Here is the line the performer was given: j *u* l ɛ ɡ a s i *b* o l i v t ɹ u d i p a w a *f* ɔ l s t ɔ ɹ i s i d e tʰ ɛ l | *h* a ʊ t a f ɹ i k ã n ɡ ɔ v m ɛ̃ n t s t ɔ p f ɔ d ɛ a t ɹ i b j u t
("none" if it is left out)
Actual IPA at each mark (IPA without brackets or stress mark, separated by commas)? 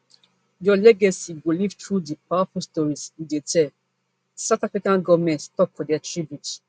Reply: ɔ, ɡ, f, s